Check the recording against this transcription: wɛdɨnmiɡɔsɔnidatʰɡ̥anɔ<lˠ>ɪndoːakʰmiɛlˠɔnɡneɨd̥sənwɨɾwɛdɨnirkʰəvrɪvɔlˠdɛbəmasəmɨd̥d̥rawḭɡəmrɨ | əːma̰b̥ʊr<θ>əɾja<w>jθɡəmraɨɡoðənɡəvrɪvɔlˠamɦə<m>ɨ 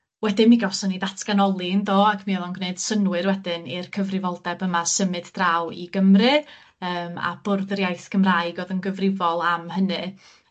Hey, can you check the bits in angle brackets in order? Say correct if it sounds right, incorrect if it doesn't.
correct, incorrect: ð, incorrect: none, incorrect: n

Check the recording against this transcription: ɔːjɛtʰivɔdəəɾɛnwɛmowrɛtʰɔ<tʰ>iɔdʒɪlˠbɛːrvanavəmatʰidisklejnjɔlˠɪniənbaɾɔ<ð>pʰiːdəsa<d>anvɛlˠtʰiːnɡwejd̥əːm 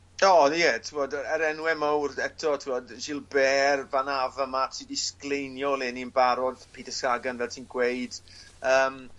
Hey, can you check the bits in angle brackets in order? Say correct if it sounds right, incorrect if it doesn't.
correct, correct, incorrect: ɡ

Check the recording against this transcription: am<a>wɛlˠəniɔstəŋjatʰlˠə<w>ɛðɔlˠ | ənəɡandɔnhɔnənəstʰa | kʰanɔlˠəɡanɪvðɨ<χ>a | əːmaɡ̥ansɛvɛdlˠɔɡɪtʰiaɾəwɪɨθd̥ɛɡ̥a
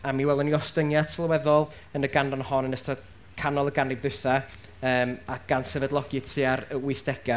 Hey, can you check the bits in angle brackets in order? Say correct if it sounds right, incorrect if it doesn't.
incorrect: i, correct, incorrect: θ

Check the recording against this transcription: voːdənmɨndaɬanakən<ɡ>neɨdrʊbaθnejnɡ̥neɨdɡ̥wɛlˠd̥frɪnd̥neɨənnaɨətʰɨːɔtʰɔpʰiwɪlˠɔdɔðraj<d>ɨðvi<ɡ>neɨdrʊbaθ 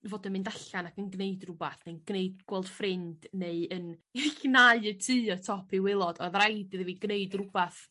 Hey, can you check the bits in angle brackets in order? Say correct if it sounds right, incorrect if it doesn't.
correct, correct, correct

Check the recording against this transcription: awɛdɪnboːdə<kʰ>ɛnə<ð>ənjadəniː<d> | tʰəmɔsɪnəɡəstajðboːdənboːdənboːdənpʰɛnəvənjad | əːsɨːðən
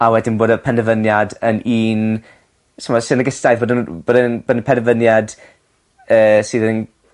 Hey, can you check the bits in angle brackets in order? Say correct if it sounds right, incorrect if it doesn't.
incorrect: pʰ, incorrect: v, incorrect: n

